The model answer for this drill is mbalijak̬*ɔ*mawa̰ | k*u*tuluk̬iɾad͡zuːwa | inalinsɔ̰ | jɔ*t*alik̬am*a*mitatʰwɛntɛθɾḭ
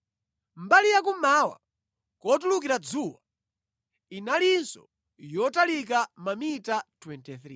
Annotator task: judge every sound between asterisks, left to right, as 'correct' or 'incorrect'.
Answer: incorrect: u, incorrect: ɔ, correct, correct

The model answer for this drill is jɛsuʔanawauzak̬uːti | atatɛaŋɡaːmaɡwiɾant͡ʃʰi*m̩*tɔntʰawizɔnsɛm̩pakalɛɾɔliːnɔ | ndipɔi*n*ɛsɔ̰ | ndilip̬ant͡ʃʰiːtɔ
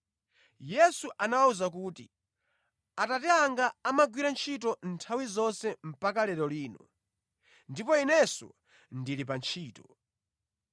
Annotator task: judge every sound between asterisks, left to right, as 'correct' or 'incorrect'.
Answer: incorrect: none, correct

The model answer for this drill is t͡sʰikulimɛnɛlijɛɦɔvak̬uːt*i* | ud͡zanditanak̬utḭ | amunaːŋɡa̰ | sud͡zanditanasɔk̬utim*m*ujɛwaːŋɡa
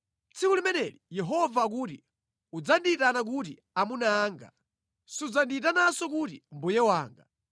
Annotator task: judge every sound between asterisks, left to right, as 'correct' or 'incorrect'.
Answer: correct, incorrect: b

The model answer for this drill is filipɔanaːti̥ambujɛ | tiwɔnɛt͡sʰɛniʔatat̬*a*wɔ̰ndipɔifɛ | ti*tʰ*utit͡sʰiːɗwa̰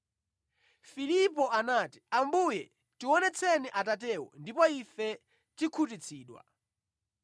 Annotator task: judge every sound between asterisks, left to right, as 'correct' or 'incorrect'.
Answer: incorrect: ɛ, incorrect: kʰ

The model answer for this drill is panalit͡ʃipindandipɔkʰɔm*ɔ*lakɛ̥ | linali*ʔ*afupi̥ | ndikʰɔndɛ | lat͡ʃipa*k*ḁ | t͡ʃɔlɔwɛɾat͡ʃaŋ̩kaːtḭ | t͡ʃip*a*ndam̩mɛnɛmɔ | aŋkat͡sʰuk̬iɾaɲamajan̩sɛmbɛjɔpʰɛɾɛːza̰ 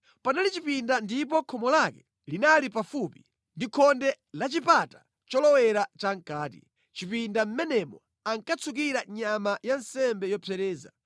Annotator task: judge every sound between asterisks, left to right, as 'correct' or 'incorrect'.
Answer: correct, incorrect: p, incorrect: t, incorrect: i

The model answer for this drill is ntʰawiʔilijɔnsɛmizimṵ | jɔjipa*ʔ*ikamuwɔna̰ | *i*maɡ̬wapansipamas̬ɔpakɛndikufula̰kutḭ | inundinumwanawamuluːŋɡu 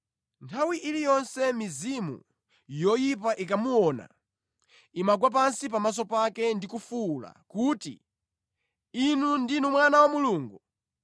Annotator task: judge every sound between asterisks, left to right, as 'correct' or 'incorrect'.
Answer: correct, correct

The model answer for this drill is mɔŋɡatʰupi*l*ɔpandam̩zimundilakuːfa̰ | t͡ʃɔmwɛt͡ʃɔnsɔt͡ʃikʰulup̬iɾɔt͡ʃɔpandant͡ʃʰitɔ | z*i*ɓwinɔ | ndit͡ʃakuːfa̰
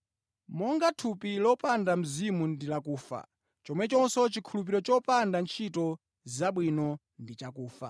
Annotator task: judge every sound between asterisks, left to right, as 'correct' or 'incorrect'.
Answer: correct, incorrect: a

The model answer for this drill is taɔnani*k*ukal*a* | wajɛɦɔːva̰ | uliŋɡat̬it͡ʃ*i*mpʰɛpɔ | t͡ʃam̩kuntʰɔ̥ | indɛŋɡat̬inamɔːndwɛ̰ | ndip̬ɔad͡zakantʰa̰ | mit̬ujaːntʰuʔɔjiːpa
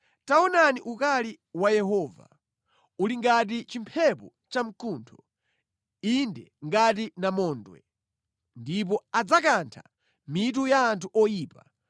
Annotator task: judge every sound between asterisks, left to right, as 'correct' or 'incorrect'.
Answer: incorrect: ʔ, incorrect: i, correct

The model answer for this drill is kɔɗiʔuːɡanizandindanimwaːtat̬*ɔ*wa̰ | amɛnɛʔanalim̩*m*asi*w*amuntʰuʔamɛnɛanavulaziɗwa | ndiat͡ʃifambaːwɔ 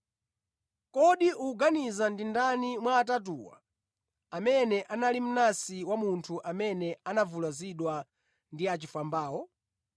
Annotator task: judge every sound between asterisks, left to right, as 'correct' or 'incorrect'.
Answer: incorrect: u, incorrect: n, correct

